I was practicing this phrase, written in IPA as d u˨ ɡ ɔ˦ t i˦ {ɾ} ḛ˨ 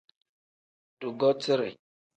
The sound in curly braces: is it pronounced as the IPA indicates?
yes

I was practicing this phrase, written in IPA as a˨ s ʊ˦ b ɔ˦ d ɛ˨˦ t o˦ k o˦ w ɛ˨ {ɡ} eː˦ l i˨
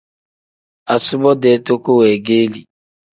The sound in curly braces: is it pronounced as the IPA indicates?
yes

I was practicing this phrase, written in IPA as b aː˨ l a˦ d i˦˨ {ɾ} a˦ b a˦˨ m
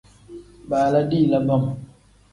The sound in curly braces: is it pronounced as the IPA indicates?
no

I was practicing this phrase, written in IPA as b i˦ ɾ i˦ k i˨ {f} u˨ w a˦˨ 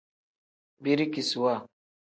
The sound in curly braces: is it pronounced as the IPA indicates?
no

